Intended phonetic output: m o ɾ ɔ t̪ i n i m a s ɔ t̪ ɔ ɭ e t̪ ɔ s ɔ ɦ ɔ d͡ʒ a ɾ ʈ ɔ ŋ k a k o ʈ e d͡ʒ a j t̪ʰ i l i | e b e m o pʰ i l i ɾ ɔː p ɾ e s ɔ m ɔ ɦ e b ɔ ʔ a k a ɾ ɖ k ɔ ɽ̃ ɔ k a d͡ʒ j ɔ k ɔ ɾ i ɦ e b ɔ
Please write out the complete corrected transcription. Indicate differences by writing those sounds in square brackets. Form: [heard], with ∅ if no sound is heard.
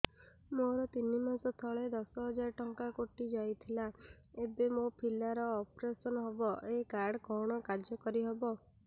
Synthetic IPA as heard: m o ɾ ɔ t̪ i n i m a s ɔ [t̪ʰ] ɔ ɭ e [d̪] ɔ s ɔ ɦ ɔ d͡ʒ a ɾ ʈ ɔ ŋ k a k o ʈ [i] d͡ʒ a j t̪ʰ i l [a] | e b e m o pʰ i l [a] ɾ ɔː p ɾ e s ɔ [n] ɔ ɦ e b ɔ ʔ [e] k a ɾ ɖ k ɔ ɽ̃ ɔ k a d͡ʒ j ɔ k ɔ ɾ i ɦ e b ɔ